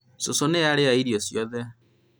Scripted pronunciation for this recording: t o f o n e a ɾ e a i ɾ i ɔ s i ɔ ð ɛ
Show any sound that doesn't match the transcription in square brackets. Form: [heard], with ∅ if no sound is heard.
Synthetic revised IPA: [s] o [s] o n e a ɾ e a i ɾ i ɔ s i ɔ ð ɛ

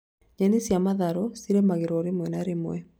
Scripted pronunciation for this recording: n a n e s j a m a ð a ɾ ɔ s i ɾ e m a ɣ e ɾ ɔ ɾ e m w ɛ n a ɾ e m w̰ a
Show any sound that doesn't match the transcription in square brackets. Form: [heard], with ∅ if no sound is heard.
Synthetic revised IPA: [ɲ] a n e s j a m a ð a ɾ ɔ s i ɾ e m a ɣ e ɾ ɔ ɾ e m w ɛ n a ɾ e m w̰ [ɛ]

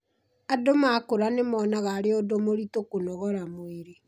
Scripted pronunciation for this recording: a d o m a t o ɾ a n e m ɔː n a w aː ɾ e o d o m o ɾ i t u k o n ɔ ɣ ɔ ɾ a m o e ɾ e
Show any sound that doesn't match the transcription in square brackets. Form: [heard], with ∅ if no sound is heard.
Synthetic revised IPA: a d o m a [k] o ɾ a n e m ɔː n a [ɣ] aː ɾ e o d o m o ɾ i t [o] k o n ɔ ɣ ɔ ɾ a m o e ɾ e

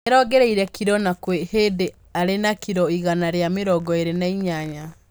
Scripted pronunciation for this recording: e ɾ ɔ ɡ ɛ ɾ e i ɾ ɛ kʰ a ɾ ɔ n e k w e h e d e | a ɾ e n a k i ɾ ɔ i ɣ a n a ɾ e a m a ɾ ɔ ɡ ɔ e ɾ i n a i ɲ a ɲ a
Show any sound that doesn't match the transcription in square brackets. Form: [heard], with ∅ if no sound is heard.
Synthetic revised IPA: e ɾ ɔ ɡ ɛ ɾ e i ɾ ɛ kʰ [i] ɾ ɔ n [a] k w e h e d e | a ɾ e n a k i ɾ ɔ i ɣ a n a ɾ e a m [e] ɾ ɔ ɡ ɔ e ɾ [e] n a i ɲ a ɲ a

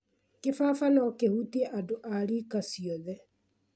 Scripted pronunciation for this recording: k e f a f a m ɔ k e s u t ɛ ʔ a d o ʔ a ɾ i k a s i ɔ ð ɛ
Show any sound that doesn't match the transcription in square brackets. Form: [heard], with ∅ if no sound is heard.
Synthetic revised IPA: k e f a f a [n] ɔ k e [h] u t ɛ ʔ a d o ʔ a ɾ i k a s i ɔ ð ɛ

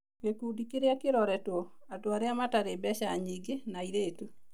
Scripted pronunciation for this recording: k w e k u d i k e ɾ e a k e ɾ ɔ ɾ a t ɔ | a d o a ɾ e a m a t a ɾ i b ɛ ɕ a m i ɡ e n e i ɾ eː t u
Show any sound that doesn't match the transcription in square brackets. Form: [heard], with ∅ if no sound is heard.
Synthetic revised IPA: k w e k u d i k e ɾ e a k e ɾ ɔ ɾ [ɛ] t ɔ | a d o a ɾ e a m a t a ɾ [e] b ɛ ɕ a [ɲ] i ɡ e n [a] i ɾ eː t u

